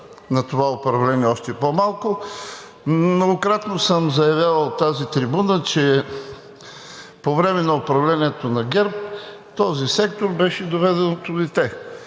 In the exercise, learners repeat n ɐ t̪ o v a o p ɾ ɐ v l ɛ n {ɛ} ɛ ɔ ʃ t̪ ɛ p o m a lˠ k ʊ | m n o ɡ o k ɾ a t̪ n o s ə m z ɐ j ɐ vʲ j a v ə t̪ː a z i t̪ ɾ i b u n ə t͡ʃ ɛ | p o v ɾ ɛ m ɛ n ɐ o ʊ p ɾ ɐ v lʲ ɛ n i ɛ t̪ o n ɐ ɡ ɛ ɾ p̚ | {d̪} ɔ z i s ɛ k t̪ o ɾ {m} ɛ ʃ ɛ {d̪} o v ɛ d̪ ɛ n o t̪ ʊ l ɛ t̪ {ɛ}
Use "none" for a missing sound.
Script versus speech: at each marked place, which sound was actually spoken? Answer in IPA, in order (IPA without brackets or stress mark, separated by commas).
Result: i, t̪, b, d̪, ɛ